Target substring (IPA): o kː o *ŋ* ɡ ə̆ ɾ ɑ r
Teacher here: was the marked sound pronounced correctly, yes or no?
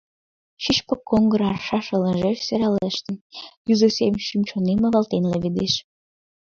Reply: yes